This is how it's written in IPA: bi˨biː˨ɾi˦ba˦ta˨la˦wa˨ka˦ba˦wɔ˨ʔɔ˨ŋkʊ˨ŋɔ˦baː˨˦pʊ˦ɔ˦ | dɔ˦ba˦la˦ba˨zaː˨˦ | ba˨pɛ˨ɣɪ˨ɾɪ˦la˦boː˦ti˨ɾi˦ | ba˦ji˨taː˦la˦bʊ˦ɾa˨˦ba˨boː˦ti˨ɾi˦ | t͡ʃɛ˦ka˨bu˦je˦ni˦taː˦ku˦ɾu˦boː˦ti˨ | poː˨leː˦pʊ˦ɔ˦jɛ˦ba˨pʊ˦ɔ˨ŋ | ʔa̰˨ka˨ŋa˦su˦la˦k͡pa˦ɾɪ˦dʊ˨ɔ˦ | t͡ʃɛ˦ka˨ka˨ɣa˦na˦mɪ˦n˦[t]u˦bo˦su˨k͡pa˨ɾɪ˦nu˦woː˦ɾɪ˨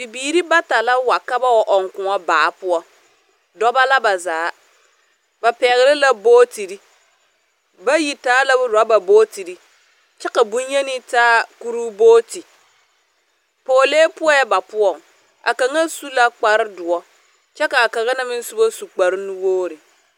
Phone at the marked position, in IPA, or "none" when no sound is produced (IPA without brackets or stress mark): s